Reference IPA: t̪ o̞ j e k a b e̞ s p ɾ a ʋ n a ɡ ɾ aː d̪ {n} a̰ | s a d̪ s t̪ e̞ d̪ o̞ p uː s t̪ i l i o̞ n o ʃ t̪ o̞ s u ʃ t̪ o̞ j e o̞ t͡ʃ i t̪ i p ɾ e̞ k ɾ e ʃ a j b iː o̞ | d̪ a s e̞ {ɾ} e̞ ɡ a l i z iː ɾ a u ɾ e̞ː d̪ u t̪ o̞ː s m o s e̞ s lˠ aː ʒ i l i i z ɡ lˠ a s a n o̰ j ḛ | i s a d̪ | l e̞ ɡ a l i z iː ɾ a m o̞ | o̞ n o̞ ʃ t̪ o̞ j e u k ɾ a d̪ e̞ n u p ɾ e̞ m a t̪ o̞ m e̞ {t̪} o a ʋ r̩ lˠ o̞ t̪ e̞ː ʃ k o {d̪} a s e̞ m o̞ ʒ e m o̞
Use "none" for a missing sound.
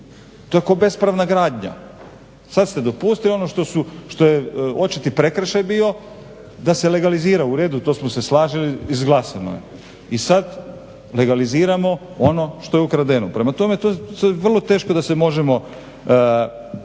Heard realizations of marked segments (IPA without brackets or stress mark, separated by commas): ɲ, l, t̪, d̪